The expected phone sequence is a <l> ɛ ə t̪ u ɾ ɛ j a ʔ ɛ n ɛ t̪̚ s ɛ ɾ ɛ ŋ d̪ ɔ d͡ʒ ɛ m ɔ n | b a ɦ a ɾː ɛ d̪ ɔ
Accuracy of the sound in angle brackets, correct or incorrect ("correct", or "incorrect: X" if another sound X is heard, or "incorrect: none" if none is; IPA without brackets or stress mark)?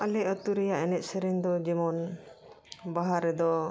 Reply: correct